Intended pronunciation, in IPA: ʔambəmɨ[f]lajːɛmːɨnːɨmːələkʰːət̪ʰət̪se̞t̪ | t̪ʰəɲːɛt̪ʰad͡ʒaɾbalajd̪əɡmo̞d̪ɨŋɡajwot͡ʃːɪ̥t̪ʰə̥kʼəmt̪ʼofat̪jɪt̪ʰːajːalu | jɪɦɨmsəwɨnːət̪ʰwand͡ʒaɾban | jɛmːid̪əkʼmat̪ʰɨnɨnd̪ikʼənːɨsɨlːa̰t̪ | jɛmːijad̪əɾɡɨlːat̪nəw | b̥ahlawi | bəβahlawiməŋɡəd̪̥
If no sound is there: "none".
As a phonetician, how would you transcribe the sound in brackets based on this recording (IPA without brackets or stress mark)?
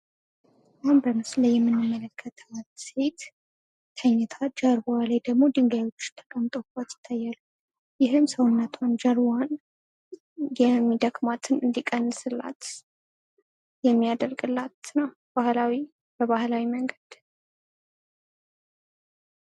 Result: s